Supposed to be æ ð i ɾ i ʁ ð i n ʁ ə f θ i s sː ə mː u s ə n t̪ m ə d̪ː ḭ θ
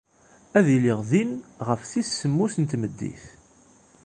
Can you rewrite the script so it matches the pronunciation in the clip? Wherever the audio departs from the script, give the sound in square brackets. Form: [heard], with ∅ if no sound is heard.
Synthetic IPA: æ ð i [l] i ʁ ð i n ʁ ə f θ i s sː ə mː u s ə n t̪ m ə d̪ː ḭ θ